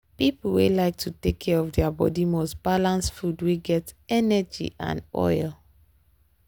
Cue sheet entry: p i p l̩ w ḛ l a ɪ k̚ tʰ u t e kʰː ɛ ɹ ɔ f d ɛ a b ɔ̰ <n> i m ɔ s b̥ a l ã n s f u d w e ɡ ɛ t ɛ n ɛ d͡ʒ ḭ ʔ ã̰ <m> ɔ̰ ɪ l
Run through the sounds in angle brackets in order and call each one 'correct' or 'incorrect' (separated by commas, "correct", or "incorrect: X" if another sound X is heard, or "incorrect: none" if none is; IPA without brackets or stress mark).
incorrect: d, incorrect: n